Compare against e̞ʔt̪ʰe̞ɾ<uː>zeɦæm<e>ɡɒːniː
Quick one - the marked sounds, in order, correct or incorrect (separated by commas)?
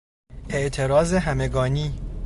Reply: incorrect, correct